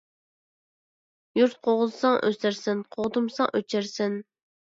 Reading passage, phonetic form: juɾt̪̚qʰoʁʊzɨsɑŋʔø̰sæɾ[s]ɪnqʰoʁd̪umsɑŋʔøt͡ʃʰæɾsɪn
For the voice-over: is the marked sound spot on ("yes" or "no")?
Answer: yes